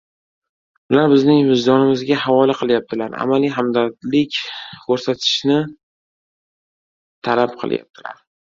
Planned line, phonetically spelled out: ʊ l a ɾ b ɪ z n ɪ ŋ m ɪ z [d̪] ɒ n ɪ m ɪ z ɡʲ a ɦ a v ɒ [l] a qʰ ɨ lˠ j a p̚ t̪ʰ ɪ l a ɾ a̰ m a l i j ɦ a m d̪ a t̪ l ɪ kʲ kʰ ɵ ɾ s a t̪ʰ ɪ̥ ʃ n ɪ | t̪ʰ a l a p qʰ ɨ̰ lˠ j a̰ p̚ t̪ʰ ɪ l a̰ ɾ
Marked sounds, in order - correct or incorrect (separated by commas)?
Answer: correct, correct